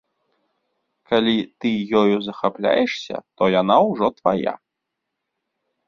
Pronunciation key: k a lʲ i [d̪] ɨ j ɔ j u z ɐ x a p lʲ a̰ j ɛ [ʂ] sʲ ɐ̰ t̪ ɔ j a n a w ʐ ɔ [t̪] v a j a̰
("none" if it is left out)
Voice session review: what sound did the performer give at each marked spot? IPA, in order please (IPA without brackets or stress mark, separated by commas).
t̪, ʂ, t̪